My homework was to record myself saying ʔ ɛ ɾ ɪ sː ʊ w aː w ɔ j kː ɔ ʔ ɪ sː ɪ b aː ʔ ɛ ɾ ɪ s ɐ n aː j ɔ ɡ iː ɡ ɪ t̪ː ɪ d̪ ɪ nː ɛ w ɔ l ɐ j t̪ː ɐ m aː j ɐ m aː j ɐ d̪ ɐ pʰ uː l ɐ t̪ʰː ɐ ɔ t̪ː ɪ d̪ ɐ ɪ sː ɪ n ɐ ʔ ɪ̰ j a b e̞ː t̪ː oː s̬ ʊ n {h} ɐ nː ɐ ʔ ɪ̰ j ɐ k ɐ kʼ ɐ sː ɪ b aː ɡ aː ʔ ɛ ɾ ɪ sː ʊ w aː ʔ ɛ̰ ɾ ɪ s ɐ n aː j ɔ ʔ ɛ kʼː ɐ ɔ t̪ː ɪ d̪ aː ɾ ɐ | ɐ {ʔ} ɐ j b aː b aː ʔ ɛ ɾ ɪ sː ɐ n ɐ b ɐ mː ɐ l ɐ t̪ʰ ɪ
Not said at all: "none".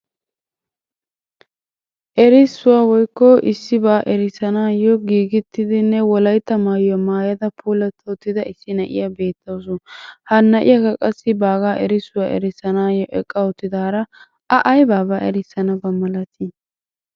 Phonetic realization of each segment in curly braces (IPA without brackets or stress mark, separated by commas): h, ʔ